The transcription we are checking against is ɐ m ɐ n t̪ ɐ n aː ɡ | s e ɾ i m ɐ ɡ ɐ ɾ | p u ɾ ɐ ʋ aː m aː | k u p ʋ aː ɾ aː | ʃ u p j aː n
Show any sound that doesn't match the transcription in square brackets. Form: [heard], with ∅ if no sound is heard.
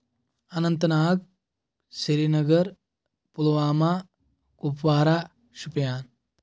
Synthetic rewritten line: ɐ [n] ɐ n t̪ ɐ n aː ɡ | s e ɾ i [n] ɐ ɡ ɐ ɾ | p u [l] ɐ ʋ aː m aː | k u p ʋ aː ɾ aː | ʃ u p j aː n